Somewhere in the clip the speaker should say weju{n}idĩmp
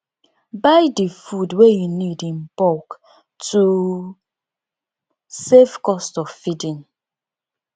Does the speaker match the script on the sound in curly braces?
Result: yes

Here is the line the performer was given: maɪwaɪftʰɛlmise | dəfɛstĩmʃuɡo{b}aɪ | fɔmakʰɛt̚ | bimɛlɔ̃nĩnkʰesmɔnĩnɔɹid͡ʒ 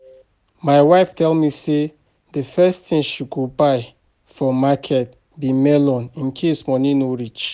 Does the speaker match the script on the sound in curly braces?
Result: yes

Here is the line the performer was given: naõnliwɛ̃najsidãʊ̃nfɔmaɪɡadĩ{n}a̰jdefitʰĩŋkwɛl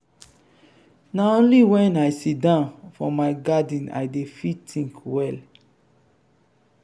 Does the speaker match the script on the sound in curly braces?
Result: yes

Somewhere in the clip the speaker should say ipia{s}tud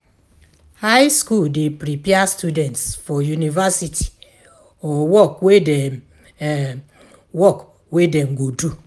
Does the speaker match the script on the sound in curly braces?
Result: yes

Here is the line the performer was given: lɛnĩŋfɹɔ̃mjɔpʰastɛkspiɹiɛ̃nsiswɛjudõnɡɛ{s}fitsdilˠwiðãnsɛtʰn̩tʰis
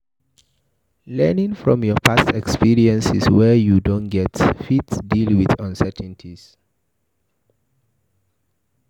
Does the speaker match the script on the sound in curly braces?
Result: no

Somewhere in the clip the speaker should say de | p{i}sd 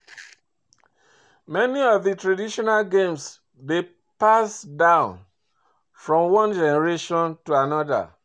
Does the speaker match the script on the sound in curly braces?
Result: no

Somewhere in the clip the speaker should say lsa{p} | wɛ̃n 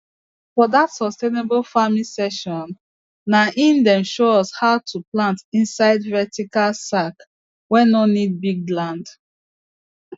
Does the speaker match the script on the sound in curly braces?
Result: no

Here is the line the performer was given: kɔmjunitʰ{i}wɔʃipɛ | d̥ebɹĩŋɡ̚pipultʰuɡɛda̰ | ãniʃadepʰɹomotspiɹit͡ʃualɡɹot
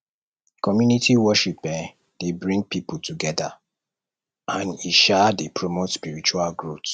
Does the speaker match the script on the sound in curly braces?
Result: yes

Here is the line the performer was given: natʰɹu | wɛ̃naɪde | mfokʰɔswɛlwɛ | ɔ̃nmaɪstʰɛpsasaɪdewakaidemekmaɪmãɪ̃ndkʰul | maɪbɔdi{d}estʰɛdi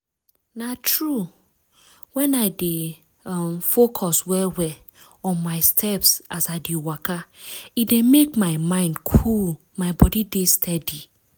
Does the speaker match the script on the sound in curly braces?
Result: yes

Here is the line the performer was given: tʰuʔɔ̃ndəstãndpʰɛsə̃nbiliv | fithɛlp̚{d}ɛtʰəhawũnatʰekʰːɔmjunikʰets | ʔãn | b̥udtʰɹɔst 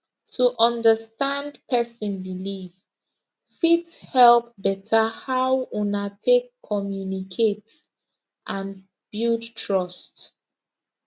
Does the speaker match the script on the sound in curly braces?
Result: no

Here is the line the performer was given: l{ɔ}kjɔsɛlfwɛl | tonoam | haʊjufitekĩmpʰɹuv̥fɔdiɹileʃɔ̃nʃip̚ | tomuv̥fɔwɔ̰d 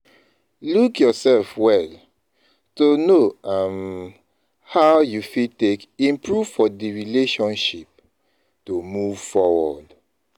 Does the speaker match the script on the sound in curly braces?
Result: no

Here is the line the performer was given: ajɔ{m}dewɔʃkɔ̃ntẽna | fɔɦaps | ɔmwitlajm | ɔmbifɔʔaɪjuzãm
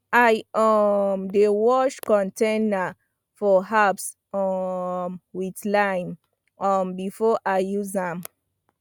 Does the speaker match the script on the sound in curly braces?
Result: yes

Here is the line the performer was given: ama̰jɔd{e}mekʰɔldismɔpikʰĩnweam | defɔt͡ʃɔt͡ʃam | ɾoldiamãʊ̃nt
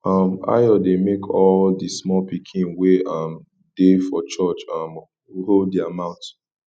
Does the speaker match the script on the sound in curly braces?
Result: yes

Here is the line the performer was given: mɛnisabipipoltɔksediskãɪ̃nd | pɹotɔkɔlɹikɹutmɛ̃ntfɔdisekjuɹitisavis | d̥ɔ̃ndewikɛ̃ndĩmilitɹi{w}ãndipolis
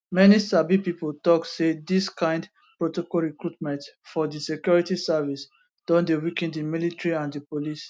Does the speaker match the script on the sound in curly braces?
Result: no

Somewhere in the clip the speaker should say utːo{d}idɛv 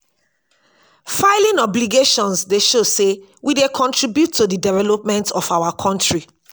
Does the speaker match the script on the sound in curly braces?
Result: yes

